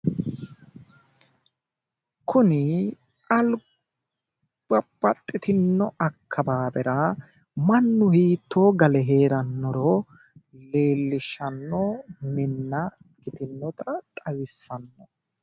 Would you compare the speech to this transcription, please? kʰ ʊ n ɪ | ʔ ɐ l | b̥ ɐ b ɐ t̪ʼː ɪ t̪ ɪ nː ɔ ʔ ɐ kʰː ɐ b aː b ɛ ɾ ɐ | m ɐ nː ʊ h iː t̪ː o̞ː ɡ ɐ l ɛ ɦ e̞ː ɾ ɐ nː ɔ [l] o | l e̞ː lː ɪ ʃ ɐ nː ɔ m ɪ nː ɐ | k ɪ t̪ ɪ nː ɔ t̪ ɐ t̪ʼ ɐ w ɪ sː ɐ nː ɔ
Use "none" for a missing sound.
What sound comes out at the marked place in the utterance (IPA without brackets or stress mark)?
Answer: ɾ